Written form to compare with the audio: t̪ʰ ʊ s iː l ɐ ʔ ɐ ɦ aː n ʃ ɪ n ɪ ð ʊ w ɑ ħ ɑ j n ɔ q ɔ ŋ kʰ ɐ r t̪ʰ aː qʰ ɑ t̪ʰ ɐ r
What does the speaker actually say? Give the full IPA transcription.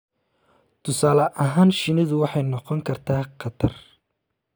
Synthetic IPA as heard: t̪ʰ ʊ s aː l ɐ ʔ ɐ ɦ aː n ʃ ɪ n ɪ ð ʊ w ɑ ħ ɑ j n ɔ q ɔ ŋ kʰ ɐ r t̪ʰ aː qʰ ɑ t̪ʰ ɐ r

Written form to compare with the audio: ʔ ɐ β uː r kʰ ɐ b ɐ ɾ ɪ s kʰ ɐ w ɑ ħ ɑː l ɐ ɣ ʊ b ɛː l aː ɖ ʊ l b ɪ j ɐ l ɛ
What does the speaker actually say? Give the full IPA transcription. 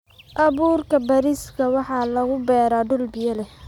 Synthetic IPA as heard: ʔ ɐ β uː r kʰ ɐ b ɐ ɾ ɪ s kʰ ɐ w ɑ ħ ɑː l ɐ ɣ ʊ b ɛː ɾ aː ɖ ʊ l b ɪ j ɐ l ɛ

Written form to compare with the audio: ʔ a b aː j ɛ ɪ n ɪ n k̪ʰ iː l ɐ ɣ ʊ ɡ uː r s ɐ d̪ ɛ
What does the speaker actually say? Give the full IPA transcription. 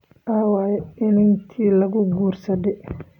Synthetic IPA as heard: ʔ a w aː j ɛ ɪ n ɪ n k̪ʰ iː l ɐ ɣ ʊ ɡ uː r s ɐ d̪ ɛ

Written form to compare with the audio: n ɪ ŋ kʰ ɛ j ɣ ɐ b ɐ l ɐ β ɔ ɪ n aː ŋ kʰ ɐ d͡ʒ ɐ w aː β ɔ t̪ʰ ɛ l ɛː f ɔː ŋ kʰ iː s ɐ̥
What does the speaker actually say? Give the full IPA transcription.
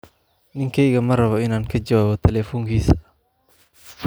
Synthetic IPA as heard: n ɪ ŋ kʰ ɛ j ɣ ɐ m ɐ r ɐ β ɔ ɪ n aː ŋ kʰ ɐ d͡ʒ ɐ w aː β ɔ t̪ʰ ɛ l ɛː f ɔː ŋ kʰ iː s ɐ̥

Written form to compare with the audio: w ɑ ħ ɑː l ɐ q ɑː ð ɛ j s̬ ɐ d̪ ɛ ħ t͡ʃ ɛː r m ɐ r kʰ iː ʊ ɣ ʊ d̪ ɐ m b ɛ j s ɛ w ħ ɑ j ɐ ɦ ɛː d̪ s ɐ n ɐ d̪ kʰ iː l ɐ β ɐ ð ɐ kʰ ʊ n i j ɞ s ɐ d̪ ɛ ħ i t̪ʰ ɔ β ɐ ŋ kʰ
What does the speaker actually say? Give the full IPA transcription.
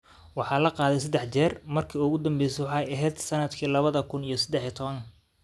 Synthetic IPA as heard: w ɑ ħ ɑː l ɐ q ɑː ð ɛ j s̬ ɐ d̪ ɛ ħ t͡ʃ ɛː r m ɐ r kʰ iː ʊ ɣ ʊ d̪ ɐ m b ɛ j s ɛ w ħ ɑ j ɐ ɦ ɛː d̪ s ɐ n ɐ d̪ kʰ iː l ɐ β ɐ ð ɐ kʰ ʊ n i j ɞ s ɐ d̪ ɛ ħ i t̪ʰ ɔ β ɐ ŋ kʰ

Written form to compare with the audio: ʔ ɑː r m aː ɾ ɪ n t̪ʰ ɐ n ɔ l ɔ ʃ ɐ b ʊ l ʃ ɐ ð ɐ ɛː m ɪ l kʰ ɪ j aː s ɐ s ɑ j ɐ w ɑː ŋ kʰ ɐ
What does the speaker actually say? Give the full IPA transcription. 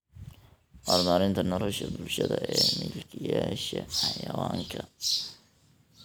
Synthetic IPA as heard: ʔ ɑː r m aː ɾ ɪ n t̪ʰ ɐ n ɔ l ɔ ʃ ɐ b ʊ l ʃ ɐ ð ɐ ɛː m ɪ l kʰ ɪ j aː ʃ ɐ ħ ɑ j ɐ w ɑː ŋ kʰ ɐ

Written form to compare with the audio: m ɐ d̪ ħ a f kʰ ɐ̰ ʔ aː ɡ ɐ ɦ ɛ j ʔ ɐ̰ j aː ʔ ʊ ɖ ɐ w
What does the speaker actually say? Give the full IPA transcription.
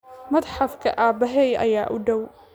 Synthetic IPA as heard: m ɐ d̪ ħ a f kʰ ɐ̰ ʔ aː b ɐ ɦ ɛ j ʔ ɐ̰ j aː ʔ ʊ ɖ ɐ w

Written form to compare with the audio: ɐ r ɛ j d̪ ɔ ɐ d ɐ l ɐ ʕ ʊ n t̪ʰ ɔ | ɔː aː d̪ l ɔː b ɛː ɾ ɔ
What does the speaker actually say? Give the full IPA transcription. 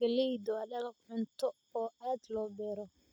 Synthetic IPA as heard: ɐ l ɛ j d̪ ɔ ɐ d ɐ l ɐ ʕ ʊ n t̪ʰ ɔ | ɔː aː d̪ l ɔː b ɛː ɾ ɔ

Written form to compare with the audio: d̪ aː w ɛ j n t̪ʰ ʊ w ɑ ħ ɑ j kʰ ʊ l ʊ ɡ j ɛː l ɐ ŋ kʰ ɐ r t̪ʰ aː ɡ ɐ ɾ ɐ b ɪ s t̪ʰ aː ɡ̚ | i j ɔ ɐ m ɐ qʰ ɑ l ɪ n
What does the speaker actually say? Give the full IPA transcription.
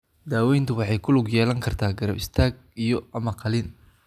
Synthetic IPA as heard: d̪ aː w ɛ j n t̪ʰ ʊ w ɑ ħ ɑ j kʰ ʊ l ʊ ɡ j ɛː l ɐ ŋ kʰ ɐ r t̪ʰ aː ɡ ɐ ɾ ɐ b ɪ s t̪ʰ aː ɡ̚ | i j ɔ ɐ m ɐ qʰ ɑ l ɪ n

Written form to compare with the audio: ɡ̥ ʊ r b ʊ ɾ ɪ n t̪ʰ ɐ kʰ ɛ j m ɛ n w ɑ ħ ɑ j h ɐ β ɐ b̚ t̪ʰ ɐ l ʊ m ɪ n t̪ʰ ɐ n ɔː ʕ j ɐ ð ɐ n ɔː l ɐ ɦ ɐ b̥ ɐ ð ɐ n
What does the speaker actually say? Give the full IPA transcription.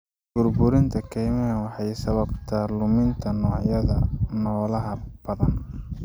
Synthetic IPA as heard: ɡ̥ ʊ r b ʊ ɾ ɪ n t̪ʰ ɐ kʰ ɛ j m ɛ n w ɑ ħ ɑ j s ɐ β ɐ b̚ t̪ʰ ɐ l ʊ m ɪ n t̪ʰ ɐ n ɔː ʕ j ɐ ð ɐ n ɔː l ɐ ɦ ɐ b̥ ɐ ð ɐ n

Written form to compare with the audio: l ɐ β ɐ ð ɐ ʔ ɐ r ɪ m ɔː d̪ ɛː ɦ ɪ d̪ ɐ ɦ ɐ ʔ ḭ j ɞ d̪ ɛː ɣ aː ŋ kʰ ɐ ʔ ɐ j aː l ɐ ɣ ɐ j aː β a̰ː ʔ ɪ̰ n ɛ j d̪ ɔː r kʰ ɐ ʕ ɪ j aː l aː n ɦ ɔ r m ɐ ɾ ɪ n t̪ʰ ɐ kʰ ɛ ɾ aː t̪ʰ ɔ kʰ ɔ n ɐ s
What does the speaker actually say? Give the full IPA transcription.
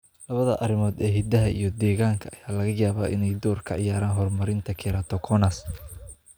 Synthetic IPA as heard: l ɐ β ɐ ð ɐ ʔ ɐ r ɪ m ɔː d̪ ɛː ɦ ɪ d̪ ɐ ɦ ɐ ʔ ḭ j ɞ d̪ ɛː ɣ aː ŋ kʰ ɐ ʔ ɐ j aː l ɐ ɣ ɐ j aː β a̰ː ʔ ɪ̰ n ɛ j d̪ ɔː r kʰ ɐ ʕ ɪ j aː ɾ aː n ɦ ɔ r m ɐ ɾ ɪ n t̪ʰ ɐ kʰ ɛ ɾ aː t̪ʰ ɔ kʰ ɔ n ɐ s

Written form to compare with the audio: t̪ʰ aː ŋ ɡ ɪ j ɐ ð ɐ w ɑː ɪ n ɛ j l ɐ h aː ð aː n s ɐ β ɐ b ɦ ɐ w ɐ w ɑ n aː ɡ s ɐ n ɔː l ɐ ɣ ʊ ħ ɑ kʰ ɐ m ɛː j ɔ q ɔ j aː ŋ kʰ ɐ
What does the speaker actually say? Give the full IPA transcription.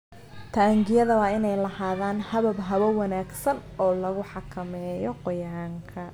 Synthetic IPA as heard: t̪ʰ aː ŋ ɡ ɪ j ɐ ð ɐ w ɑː ɪ n ɛ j l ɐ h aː ð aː n h ɐ β ɐ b ɦ ɐ β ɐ w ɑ n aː ɡ s ɐ n ɔː l ɐ ɣ ʊ ħ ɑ kʰ ɐ m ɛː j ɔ q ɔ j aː ŋ kʰ ɐ

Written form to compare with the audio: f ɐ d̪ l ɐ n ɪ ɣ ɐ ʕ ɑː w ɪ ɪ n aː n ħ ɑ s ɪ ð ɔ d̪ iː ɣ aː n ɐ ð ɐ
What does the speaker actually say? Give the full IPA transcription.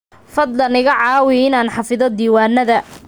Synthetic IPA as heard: f ɐ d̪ l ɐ n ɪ ɣ ɐ ʕ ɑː w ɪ ɪ n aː n ħ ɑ f ɪ ð ɔ d̪ iː w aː n ɐ ð ɐ

